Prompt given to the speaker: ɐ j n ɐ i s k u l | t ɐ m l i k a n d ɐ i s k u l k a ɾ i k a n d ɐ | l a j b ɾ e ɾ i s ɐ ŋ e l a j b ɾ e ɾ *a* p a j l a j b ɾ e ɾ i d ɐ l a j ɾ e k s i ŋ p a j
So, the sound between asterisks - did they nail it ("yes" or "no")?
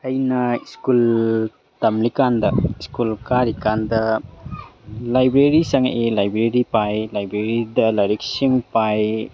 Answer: no